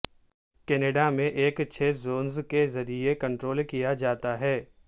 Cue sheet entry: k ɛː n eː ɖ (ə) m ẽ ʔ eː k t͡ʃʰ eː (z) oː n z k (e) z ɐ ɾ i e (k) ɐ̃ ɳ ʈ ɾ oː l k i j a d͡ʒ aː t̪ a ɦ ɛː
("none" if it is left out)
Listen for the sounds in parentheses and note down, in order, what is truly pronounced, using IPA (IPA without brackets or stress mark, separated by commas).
a, z, e, k